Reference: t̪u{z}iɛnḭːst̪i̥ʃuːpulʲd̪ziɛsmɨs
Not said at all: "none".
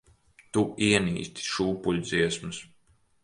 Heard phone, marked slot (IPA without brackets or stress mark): none